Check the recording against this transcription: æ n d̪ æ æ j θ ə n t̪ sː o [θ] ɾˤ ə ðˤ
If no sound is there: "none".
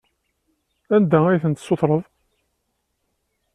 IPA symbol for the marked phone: θ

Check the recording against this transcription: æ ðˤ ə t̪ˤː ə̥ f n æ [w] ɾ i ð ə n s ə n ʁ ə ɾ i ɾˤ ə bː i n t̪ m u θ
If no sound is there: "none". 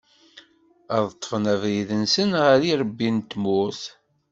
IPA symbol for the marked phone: v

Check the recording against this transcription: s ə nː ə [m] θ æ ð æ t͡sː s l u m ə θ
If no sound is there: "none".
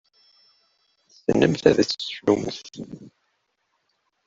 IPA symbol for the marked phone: m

